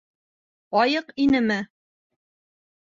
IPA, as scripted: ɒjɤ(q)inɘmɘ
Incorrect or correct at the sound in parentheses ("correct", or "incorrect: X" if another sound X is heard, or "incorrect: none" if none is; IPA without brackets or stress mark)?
correct